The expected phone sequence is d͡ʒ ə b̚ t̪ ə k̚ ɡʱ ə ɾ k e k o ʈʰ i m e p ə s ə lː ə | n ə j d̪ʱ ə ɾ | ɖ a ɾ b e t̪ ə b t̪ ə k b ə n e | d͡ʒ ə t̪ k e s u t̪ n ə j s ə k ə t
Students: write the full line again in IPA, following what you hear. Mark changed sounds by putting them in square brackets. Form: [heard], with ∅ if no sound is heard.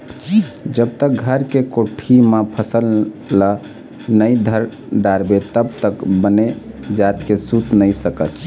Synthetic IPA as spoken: d͡ʒ ə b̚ t̪ ə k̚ ɡʱ ə ɾ k e k o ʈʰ i m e [pʰ] ə s ə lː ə | n ə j d̪ʱ ə ɾ | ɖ a ɾ b e t̪ ə b t̪ ə k b ə n e | d͡ʒ [a] t̪ k e s u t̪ n ə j s ə k ə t